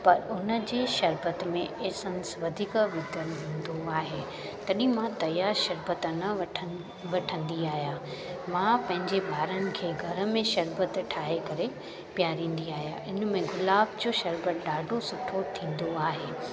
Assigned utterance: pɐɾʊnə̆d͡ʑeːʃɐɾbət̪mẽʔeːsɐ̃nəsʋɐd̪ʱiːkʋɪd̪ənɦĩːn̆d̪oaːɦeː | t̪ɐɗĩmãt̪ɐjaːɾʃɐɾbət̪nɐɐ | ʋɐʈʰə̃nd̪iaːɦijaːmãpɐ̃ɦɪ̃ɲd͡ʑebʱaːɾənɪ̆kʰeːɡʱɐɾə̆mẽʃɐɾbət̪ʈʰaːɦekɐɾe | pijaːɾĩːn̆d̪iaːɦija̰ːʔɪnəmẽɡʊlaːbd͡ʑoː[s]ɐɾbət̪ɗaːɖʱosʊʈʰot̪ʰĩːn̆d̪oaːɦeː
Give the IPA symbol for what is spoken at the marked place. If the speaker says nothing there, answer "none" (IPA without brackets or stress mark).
ʃ